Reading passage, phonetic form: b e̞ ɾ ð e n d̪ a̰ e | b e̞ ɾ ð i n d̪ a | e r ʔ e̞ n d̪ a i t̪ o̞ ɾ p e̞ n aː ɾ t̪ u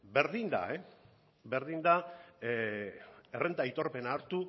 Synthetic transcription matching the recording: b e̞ ɾ ð i n d̪ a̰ e | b e̞ ɾ ð i n d̪ a | e r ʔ e̞ n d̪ a i t̪ o̞ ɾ p e̞ n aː ɾ t̪ u